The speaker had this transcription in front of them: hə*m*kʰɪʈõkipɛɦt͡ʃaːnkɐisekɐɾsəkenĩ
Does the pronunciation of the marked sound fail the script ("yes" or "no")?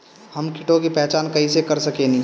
no